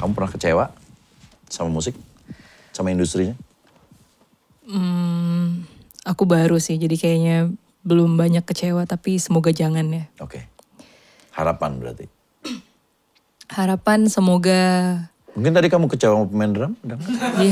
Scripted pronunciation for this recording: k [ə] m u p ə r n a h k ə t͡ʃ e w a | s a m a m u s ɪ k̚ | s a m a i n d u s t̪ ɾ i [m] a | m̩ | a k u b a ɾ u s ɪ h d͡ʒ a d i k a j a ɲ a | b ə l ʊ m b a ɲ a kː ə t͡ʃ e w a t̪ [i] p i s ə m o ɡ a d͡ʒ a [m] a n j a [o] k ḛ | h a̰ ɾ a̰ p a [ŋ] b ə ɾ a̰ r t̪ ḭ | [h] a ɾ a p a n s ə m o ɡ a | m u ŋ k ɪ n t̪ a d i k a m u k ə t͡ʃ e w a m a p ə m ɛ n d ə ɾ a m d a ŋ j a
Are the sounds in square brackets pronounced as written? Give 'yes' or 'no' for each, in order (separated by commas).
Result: no, no, no, no, yes, no, yes